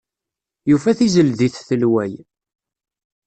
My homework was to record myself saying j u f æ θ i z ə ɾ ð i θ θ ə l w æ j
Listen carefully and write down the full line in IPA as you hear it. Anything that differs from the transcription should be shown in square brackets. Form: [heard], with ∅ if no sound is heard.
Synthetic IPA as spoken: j u f æ θ i z ə [l] ð i θ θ ə l w æ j